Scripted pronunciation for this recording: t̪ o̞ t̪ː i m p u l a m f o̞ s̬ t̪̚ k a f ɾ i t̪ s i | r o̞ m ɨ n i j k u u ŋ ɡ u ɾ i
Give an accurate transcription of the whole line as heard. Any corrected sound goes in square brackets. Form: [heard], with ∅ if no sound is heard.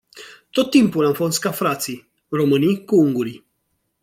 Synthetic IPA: t̪ o̞ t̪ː i m p u l a m f o̞ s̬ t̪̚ k a f ɾ [a] t̪ s i | r o̞ m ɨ n i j k u u ŋ ɡ u ɾ i